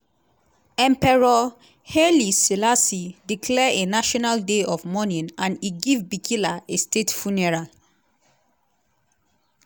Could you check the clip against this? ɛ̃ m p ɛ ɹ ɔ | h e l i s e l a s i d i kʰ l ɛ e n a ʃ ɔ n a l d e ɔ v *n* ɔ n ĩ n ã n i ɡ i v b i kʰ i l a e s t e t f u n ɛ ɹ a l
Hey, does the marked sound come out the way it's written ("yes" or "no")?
no